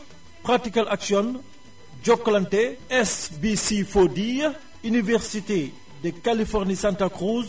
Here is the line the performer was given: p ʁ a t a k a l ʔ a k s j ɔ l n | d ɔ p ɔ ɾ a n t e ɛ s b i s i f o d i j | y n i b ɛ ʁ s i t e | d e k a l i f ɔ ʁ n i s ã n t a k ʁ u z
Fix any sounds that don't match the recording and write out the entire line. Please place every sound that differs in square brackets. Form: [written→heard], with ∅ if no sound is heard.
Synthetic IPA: p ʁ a t [a→i] k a l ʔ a k s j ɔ [l→∅] n | [d→d͡ʒ] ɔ [p→k] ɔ [ɾ→l] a n t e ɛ s b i s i f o d i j | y n i [b→v] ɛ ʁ s i t e | d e k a l i f ɔ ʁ n i s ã n t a k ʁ u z